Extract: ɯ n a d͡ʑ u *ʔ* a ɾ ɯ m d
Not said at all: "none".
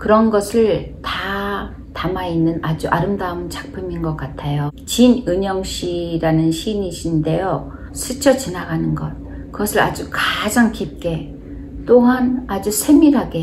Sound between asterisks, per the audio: ʔ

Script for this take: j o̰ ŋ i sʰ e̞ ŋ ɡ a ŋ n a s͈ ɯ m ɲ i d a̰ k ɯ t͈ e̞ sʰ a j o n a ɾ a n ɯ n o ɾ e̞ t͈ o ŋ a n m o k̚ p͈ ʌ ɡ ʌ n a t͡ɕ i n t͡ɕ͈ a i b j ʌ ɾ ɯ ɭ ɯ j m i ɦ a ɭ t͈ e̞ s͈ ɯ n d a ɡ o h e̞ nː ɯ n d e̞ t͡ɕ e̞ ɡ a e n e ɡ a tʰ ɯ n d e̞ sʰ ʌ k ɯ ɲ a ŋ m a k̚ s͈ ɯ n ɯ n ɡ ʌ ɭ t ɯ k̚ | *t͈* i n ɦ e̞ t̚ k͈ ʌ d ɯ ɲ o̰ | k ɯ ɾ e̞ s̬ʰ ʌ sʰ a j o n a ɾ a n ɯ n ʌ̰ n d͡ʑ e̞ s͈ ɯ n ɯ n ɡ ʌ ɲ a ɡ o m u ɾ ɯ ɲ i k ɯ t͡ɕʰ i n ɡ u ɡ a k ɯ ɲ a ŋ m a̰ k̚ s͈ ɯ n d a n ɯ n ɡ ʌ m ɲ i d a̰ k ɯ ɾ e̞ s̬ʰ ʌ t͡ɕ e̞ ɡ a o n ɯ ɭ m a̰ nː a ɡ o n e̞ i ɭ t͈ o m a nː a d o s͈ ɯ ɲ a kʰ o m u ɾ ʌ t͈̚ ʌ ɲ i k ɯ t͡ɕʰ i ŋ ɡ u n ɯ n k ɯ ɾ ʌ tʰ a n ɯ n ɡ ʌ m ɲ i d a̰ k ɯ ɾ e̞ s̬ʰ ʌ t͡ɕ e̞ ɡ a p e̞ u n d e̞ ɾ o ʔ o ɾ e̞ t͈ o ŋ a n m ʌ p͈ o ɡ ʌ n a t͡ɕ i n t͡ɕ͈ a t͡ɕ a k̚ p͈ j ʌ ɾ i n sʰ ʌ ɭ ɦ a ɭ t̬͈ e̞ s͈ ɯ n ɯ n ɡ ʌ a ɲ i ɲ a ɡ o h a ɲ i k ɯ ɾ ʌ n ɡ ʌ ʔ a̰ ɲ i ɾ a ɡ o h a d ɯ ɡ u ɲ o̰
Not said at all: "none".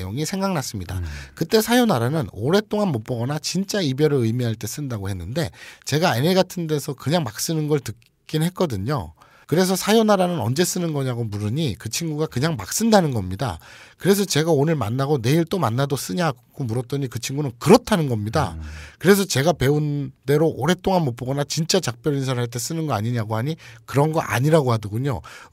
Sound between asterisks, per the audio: k͈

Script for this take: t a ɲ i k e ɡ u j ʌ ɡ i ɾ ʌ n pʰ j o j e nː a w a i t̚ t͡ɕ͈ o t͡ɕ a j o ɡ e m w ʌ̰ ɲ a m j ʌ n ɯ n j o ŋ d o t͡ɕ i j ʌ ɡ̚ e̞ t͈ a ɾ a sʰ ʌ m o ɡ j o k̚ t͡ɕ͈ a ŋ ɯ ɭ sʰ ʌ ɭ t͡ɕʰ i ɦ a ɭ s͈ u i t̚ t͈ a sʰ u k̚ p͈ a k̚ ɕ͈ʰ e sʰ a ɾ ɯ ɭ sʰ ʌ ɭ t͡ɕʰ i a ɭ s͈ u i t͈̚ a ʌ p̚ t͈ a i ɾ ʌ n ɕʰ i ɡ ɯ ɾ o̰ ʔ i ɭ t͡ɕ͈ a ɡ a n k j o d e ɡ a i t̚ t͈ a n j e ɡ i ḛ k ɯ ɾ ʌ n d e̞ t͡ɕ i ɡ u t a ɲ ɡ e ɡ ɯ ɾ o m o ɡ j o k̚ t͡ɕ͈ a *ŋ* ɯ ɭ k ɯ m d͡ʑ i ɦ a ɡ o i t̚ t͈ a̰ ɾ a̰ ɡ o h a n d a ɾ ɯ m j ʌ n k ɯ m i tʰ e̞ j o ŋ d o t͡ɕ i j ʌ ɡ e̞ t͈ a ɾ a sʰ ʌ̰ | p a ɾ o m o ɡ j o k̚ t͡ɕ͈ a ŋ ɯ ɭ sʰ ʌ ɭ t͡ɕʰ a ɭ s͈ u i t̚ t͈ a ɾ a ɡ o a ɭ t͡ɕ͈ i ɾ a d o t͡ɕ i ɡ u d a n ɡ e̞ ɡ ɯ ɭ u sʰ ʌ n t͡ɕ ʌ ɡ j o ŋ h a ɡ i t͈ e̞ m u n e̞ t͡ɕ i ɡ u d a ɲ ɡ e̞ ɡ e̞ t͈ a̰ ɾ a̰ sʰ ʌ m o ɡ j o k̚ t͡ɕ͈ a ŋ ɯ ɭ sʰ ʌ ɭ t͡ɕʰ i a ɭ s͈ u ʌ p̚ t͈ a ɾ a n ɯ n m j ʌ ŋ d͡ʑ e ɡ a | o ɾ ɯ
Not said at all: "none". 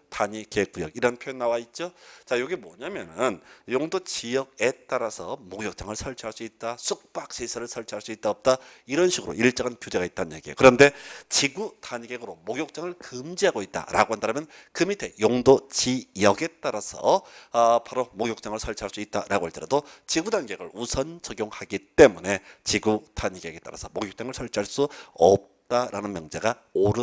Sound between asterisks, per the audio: ŋ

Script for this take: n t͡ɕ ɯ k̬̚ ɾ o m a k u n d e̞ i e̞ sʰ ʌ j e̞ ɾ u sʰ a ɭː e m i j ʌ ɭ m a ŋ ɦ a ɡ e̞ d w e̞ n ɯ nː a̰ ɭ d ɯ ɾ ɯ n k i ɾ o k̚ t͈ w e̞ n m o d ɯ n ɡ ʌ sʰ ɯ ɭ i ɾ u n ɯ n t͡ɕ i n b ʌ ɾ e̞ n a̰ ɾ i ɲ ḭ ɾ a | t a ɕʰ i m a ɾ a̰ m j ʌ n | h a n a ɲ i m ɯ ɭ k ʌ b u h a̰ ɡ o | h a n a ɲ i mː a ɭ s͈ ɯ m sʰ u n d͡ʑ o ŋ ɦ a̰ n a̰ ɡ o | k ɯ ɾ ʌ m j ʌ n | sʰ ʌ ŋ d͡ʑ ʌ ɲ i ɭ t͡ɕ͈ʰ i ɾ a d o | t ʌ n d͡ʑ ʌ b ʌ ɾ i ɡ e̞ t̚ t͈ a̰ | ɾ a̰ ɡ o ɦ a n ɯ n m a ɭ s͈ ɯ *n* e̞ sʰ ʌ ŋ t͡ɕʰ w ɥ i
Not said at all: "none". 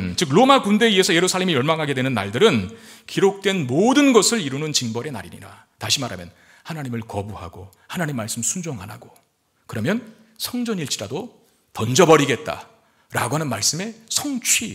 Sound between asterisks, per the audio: m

